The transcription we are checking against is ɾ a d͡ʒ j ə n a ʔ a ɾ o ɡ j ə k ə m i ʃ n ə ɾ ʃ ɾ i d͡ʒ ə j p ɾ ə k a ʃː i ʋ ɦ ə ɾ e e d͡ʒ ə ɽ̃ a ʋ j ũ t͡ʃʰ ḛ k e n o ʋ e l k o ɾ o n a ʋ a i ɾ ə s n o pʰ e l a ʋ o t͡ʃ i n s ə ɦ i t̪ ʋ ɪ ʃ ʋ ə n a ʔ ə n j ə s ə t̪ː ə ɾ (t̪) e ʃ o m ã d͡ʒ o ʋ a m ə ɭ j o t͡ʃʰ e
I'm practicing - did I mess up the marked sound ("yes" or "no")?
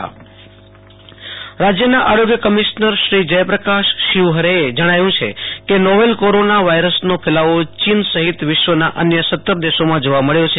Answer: yes